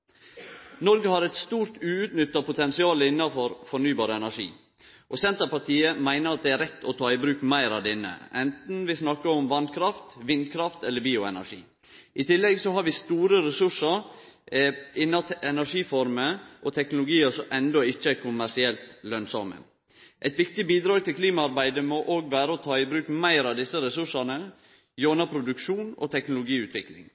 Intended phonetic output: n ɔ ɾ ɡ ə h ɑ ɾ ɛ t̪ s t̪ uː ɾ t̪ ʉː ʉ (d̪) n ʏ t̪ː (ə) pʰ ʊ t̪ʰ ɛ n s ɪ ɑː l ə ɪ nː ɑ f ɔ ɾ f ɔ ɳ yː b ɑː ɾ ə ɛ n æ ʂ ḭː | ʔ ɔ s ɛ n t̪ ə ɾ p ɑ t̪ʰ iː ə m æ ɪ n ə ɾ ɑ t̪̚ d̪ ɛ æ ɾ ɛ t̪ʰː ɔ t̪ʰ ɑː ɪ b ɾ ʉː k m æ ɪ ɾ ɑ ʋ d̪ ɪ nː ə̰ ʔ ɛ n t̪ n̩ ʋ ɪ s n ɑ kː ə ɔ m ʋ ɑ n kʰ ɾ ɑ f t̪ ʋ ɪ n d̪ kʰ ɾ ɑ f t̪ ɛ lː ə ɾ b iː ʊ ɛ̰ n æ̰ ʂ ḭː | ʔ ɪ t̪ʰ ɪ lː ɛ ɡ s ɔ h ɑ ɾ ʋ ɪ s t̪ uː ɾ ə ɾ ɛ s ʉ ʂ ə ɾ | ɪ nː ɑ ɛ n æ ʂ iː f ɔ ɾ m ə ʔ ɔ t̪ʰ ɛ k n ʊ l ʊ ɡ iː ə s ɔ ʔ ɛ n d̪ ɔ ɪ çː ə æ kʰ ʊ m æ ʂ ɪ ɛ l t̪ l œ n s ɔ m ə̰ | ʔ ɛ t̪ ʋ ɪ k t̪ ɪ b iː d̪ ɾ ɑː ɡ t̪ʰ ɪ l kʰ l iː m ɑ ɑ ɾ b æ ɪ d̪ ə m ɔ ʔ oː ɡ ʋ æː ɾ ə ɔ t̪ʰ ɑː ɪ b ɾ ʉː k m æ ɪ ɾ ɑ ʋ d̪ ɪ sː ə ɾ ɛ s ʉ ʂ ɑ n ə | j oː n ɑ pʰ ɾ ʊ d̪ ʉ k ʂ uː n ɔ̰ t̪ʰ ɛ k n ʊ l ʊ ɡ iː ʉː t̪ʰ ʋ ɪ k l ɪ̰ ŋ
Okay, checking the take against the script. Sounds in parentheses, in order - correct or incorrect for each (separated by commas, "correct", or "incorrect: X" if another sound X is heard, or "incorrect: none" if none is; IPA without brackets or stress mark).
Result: incorrect: t̪, incorrect: ɑ